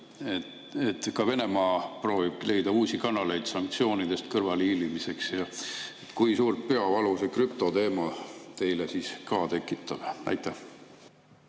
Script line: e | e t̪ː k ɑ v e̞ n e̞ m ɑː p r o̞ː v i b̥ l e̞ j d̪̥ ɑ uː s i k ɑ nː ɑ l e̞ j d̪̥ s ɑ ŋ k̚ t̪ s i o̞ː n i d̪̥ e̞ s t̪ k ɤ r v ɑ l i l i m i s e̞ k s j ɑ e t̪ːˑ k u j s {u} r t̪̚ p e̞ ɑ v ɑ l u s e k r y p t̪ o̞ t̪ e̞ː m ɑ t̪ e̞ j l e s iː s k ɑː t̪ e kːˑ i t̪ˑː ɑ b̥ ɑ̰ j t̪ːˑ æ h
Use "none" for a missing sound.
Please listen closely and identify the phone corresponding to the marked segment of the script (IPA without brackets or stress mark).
uː